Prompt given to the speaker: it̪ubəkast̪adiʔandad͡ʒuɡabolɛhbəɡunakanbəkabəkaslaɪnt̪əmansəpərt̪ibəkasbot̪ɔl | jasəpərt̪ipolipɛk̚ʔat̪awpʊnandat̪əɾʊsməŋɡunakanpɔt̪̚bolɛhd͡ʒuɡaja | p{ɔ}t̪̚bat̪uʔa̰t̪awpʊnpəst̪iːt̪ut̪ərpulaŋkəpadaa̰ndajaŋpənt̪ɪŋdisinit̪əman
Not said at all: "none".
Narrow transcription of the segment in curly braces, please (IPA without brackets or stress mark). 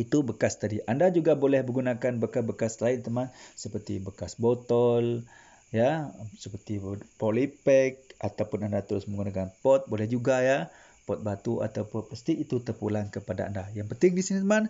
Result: ɔ